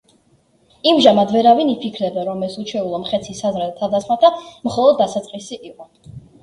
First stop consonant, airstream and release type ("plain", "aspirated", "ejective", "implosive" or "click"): plain